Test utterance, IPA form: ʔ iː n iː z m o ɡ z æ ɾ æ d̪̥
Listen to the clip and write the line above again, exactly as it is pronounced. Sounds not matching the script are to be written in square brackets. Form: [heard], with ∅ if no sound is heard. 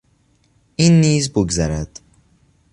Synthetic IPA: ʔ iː [nː] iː z [b] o ɡ z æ ɾ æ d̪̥